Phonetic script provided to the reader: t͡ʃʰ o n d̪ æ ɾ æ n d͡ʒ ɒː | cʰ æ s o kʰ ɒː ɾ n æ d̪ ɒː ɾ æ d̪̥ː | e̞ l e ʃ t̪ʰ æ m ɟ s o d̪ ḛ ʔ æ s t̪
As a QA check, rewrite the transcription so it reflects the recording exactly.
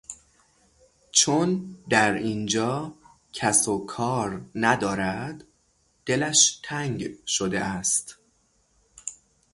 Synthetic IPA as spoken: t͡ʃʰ o n d̪ æ ɾ i n d͡ʒ ɒː | cʰ æ s o kʰ ɒː ɾ n æ d̪ ɒː ɾ æ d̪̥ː | e̞ l æ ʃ t̪ʰ æ ŋ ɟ ʃ o d̪ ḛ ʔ æ s t̪